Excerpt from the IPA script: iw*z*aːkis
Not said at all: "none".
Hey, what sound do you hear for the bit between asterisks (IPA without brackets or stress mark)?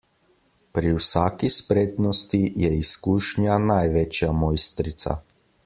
s